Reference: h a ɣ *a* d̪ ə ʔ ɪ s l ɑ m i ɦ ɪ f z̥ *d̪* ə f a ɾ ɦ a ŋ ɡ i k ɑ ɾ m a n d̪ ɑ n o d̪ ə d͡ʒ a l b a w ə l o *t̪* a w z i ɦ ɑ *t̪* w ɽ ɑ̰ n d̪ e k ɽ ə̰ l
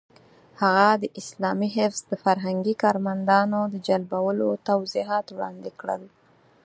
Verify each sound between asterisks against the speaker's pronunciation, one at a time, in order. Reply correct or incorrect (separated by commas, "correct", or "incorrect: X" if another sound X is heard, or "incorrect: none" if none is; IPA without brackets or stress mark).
correct, correct, correct, correct